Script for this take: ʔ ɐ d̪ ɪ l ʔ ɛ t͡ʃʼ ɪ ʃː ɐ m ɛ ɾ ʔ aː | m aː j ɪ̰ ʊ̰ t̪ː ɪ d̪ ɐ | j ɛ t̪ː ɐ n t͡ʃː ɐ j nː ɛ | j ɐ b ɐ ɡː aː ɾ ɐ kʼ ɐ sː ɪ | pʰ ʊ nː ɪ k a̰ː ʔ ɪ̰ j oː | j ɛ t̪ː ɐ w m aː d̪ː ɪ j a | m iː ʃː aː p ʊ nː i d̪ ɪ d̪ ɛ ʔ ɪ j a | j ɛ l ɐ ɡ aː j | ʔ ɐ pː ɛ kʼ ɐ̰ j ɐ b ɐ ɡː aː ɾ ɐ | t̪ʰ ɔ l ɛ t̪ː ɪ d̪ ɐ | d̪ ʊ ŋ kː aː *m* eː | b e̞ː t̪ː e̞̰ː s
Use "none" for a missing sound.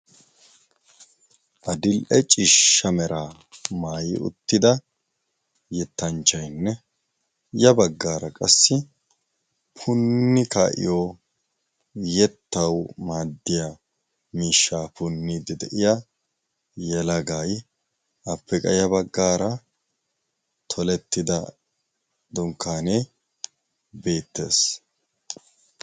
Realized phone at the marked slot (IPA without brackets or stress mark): n